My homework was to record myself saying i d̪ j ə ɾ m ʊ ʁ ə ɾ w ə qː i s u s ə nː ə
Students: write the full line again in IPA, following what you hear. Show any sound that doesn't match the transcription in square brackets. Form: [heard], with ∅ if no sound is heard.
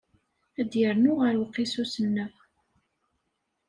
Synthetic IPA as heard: [æ] d̪ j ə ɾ [n] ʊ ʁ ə ɾ w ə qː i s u s ə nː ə